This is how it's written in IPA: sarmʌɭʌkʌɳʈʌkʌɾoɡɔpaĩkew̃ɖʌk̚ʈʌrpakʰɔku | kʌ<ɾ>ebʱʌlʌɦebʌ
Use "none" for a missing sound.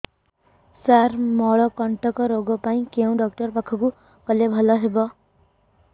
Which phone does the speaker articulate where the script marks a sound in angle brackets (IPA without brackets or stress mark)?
l